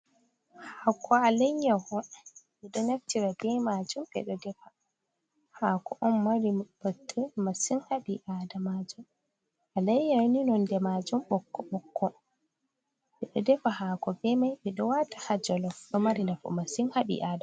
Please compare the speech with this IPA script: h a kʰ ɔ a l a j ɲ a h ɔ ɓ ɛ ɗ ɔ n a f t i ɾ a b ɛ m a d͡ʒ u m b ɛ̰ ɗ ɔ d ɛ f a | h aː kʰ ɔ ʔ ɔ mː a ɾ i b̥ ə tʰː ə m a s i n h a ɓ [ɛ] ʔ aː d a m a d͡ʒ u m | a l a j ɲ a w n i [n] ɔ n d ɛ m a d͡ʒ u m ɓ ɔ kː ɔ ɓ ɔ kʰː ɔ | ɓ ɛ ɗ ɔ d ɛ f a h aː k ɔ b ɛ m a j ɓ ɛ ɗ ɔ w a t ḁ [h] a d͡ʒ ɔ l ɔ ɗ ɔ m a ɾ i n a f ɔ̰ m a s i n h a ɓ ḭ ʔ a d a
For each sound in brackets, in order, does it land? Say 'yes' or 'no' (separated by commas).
no, yes, yes